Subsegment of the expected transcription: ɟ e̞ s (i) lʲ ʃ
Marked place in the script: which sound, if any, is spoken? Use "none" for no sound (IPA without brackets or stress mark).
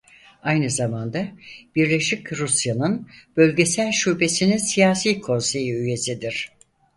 æ